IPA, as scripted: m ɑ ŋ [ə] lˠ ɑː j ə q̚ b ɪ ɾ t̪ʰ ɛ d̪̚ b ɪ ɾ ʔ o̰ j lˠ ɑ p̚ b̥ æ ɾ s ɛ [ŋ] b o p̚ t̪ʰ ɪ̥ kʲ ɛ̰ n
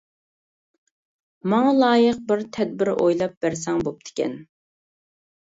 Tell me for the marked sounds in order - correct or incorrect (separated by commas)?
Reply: incorrect, correct